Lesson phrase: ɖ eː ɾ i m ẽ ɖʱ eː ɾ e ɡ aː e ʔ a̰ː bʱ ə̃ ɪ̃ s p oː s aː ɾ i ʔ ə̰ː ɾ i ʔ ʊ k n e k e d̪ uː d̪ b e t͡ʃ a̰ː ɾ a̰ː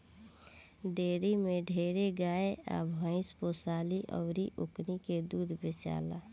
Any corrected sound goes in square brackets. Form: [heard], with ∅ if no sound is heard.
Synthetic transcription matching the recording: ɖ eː ɾ i m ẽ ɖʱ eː ɾ e ɡ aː e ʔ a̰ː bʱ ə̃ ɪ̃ s p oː s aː [l] i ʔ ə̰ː ɾ i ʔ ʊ k n [i] k e d̪ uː d̪ b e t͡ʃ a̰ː [l] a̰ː